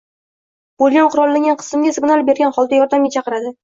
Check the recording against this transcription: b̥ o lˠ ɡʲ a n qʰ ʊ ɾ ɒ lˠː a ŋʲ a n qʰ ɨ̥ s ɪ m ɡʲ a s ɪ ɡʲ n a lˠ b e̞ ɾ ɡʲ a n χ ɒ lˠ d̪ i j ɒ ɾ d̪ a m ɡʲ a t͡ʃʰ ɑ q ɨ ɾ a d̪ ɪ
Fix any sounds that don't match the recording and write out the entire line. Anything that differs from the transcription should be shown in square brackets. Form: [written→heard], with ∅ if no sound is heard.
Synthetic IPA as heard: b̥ o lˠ ɡʲ a n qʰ ʊ ɾ ɒ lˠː a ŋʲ a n qʰ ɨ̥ s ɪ m ɡʲ a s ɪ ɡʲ n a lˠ b e̞ ɾ ɡʲ a n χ ɒ lˠ d̪ [i→a] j ɒ ɾ d̪ a m ɡʲ a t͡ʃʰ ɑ q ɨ ɾ a d̪ ɪ